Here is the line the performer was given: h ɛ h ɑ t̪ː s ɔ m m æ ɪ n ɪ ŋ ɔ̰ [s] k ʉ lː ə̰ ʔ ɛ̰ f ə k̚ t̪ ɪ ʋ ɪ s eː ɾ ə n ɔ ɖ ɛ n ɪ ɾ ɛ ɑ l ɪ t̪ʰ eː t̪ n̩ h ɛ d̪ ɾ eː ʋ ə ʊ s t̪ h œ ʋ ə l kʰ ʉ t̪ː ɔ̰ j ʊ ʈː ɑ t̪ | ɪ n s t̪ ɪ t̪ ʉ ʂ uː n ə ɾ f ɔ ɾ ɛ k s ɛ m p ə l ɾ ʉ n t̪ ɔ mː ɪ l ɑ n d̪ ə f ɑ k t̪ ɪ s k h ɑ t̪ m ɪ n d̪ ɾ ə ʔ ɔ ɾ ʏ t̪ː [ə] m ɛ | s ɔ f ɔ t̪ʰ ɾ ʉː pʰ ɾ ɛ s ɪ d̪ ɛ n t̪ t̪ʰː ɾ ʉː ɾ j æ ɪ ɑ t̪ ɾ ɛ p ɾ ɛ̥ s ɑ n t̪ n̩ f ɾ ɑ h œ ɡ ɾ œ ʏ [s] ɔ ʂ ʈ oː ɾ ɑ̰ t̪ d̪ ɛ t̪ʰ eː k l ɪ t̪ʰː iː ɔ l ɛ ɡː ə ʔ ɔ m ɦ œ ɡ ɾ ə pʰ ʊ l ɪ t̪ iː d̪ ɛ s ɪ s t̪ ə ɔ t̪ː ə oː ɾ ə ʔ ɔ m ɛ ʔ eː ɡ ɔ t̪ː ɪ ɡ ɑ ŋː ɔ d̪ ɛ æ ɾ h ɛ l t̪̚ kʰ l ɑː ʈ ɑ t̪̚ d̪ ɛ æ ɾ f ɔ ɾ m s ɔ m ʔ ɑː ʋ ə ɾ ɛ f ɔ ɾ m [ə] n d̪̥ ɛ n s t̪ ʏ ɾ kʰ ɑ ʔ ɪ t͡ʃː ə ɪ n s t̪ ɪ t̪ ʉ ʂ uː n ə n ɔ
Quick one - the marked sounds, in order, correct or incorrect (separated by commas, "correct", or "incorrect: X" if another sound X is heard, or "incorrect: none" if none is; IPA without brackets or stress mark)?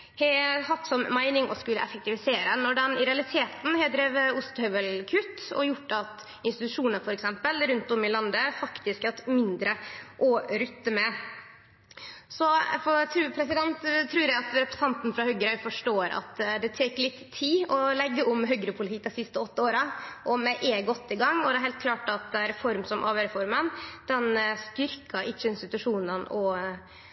correct, correct, incorrect: f, correct